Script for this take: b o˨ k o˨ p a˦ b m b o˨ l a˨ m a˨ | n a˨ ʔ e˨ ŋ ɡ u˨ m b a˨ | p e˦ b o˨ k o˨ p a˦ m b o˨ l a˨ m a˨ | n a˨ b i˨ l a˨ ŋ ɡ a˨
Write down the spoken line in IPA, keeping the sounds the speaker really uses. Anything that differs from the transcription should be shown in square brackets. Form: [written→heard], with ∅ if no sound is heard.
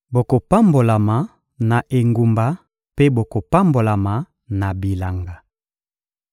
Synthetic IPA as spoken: b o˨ k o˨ p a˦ [b→∅] m b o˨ l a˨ m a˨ | n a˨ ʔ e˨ ŋ ɡ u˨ m b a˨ | p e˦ b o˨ k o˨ p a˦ m b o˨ l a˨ m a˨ | n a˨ b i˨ l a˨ ŋ ɡ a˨